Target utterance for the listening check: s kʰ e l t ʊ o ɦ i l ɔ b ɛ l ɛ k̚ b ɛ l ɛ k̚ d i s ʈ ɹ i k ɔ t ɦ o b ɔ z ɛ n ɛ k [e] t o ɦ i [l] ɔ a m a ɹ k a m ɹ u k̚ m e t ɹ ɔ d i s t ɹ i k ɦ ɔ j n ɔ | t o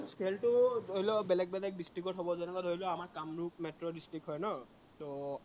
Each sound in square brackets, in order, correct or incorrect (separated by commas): incorrect, correct